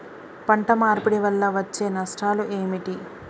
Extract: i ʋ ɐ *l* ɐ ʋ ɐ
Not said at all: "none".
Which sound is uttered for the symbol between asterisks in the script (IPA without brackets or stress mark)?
lː